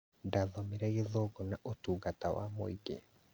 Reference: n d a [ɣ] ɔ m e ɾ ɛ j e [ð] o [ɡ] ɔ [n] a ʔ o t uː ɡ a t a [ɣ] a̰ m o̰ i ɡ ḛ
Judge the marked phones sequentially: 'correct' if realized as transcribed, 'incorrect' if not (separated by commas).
incorrect, correct, correct, correct, incorrect